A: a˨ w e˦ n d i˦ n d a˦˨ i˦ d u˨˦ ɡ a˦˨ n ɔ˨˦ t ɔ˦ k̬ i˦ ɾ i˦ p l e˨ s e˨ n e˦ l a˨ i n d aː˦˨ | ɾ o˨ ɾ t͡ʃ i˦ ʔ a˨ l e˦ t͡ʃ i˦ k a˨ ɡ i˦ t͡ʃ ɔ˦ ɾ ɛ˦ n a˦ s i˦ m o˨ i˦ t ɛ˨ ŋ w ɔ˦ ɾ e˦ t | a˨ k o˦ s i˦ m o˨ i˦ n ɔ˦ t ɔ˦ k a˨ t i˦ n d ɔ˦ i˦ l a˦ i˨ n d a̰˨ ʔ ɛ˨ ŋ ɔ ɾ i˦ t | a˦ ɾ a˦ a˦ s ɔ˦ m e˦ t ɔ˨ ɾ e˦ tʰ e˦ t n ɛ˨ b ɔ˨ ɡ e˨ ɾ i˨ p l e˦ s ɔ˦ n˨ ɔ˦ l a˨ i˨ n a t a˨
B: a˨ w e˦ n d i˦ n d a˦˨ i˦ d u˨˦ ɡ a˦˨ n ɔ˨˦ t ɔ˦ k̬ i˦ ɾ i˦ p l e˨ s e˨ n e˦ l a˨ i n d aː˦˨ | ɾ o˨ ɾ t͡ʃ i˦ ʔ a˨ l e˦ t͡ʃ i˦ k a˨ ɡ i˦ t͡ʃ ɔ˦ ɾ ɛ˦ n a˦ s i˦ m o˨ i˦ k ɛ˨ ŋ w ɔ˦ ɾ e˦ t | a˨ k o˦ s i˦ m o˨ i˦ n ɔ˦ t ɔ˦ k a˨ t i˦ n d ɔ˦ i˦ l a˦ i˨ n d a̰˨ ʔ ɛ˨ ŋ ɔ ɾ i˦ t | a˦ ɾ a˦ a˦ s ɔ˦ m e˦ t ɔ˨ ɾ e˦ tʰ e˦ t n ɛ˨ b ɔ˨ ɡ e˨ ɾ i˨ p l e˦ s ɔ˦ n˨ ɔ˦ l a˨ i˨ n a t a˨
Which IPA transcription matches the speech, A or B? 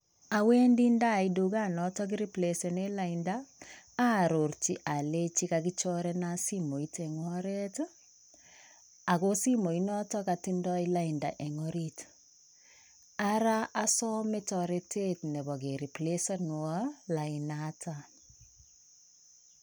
A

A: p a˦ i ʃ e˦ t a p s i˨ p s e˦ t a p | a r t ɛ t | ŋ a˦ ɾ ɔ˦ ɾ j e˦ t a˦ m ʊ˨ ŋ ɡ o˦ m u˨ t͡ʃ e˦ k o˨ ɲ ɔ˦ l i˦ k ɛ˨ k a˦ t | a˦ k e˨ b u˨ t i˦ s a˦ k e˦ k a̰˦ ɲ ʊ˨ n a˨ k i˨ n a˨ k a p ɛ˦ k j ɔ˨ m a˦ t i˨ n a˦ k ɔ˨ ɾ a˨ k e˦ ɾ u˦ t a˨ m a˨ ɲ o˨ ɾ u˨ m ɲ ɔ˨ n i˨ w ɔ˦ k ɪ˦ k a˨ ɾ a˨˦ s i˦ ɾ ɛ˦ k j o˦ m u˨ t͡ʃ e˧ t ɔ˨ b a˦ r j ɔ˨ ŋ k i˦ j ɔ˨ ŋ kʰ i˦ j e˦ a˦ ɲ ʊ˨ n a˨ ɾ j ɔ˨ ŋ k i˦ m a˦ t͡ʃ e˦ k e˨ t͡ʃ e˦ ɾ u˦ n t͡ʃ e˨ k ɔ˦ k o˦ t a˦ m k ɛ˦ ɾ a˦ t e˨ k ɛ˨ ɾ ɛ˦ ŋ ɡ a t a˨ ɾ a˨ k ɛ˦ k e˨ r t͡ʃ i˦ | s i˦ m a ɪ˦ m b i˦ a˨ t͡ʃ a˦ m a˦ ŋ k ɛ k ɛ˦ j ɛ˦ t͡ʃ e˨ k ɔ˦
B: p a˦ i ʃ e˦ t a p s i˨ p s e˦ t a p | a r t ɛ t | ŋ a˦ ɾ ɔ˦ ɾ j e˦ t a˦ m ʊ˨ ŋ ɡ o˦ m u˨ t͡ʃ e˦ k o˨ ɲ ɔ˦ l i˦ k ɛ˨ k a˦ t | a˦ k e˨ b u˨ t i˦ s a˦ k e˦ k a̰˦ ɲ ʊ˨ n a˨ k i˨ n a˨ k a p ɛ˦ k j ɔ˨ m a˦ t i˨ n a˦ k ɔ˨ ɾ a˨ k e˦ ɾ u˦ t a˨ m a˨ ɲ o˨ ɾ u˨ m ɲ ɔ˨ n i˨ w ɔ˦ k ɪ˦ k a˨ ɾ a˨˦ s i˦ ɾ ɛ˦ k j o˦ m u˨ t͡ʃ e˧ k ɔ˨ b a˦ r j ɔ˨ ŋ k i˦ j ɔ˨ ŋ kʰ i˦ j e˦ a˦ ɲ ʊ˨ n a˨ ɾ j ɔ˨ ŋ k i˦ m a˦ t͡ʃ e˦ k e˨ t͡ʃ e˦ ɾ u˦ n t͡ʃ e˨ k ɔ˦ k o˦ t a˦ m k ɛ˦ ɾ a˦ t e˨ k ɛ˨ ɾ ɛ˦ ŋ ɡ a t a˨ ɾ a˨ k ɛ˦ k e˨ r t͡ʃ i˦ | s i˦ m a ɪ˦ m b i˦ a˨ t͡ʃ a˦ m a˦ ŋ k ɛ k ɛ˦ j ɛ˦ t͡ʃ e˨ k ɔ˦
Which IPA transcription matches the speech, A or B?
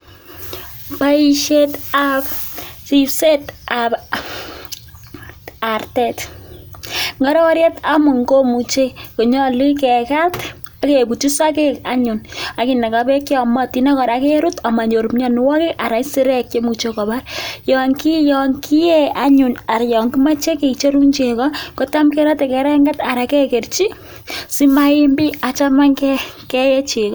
B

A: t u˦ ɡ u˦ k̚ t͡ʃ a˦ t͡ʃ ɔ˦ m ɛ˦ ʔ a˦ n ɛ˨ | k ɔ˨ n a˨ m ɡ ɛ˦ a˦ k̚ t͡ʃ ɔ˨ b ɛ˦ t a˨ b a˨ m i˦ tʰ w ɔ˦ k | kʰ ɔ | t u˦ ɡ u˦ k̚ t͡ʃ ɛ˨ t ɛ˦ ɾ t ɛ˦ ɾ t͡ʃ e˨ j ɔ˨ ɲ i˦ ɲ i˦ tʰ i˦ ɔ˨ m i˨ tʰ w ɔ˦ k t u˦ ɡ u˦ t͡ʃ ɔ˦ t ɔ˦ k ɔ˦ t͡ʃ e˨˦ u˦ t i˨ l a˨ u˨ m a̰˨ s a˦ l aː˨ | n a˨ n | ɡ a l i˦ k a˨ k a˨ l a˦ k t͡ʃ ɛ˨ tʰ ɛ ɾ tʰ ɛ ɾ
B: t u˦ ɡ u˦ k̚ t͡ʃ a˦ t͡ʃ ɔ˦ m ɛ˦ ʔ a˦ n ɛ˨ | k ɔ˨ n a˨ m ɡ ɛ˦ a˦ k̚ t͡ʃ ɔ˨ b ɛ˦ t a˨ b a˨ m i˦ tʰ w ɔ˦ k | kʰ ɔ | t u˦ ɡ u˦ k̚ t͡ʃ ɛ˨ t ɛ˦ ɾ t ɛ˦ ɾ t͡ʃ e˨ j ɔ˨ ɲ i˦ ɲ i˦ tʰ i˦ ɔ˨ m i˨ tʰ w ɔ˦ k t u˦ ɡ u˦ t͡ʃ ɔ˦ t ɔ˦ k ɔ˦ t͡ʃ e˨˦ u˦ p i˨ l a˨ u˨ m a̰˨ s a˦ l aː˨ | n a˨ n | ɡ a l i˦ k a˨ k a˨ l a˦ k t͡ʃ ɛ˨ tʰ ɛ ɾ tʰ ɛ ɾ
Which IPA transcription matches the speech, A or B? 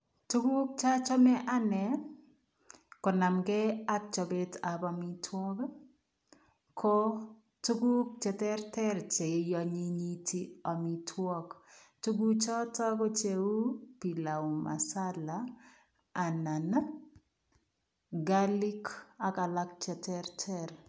B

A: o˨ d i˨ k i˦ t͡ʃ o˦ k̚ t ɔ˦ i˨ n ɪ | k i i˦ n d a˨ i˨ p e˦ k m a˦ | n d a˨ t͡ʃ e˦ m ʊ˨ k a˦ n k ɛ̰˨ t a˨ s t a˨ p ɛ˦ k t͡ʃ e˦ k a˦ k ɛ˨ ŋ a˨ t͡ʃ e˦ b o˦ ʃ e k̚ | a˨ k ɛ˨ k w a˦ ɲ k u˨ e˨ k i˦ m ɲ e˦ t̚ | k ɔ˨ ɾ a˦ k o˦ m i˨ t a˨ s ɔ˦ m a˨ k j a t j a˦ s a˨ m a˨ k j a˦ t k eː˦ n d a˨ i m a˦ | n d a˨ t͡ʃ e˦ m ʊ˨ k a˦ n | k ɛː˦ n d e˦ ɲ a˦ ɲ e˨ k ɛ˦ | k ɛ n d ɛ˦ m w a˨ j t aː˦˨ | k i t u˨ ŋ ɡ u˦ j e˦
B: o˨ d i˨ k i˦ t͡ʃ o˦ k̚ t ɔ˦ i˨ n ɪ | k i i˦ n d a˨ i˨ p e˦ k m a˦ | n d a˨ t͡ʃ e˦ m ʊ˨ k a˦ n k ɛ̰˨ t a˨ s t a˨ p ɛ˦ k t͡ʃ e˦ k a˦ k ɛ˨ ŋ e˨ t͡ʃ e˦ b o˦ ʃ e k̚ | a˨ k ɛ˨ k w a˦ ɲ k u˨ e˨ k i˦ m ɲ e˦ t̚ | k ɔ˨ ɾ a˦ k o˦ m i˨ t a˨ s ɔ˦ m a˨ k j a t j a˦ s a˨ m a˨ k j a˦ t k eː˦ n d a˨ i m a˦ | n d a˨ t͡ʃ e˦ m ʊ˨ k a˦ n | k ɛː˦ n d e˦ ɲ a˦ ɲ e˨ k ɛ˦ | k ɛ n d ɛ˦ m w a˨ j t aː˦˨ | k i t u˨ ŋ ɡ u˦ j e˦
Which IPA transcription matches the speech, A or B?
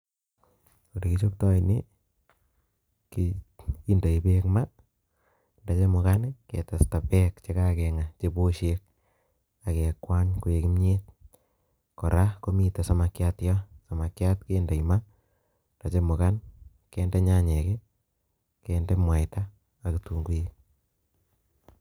A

